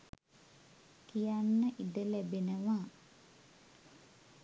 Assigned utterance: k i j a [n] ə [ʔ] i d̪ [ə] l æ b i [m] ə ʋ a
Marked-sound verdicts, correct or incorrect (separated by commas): incorrect, correct, correct, incorrect